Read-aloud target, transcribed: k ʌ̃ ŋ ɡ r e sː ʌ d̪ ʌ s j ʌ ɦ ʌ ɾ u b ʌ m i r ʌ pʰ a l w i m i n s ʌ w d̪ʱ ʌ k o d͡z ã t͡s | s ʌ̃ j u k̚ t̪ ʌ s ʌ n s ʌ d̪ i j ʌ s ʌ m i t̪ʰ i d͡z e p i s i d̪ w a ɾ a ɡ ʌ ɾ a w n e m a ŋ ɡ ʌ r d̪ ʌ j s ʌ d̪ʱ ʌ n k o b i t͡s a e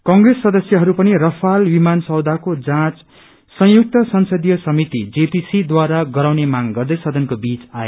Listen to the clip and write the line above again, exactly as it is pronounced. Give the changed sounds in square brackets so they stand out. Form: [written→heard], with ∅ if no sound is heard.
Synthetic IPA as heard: k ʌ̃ ŋ ɡ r e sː ʌ d̪ ʌ s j ʌ ɦ ʌ ɾ u [b→p] ʌ [m→n] i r ʌ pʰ a l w i m [i→a] n s ʌ w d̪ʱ [ʌ→a] k o d͡z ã t͡s | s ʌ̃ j u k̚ t̪ ʌ s ʌ n s ʌ d̪ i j ʌ s ʌ m i [t̪ʰ→t̪] i d͡z e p i s i d̪ w a ɾ a ɡ ʌ ɾ a w n e m a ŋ ɡ ʌ r d̪ ʌ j s ʌ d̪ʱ ʌ n k o b i t͡s a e